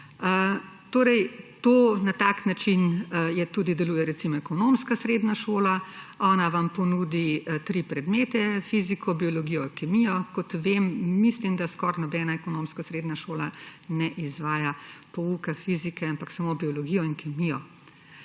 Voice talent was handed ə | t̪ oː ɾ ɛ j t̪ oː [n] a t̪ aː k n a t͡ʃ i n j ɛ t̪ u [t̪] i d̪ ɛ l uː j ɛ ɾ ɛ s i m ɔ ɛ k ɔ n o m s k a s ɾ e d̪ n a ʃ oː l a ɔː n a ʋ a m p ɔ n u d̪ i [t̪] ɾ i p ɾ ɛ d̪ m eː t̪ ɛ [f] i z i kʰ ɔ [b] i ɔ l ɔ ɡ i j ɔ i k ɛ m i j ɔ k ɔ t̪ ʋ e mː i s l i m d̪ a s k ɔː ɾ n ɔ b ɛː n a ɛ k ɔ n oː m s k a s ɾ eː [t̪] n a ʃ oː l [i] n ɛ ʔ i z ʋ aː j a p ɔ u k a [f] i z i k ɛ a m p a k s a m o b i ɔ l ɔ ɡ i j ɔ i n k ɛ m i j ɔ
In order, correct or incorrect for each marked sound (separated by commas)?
correct, incorrect, correct, correct, correct, incorrect, incorrect, correct